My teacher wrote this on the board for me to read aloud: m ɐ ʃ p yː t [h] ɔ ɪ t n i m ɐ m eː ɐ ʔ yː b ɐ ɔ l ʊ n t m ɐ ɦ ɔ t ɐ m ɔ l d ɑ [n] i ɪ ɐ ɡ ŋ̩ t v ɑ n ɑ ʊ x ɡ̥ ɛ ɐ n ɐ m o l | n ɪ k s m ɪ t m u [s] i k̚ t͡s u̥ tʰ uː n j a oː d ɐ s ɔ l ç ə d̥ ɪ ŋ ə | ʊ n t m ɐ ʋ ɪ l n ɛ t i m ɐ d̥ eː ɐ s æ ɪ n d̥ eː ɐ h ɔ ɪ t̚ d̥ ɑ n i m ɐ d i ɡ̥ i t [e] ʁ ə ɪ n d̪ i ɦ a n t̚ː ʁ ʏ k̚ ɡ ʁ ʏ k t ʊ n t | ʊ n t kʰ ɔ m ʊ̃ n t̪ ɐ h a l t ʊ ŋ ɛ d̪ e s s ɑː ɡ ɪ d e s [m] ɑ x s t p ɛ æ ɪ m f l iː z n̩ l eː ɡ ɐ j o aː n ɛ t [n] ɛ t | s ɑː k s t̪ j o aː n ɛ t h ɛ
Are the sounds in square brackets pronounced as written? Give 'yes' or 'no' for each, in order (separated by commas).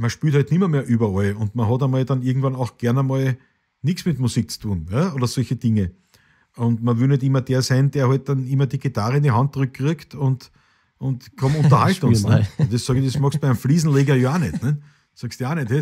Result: yes, yes, yes, no, yes, yes